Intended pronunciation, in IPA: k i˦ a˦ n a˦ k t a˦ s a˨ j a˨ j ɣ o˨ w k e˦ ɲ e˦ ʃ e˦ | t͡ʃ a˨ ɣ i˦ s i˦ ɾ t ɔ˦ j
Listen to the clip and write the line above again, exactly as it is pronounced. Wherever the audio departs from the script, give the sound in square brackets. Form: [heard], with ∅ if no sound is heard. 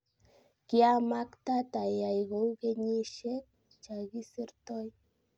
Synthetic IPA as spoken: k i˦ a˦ [m] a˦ k t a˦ [t] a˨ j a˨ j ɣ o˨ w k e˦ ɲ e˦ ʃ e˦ | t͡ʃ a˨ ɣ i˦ s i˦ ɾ t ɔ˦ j